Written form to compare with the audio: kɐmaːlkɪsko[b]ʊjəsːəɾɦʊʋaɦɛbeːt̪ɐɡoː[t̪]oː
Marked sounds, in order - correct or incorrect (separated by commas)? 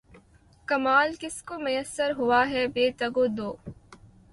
incorrect, incorrect